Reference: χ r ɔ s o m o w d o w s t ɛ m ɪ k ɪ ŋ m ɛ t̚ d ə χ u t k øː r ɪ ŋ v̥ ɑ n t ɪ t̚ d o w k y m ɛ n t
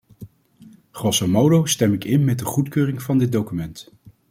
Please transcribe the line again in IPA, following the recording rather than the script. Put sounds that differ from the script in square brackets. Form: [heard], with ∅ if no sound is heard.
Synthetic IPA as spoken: χ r ɔ s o m o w d o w s t ɛ m ɪ k ɪ [n] m ɛ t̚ d ə χ u t k øː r ɪ ŋ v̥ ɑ n [d] ɪ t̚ d o w k y m ɛ n t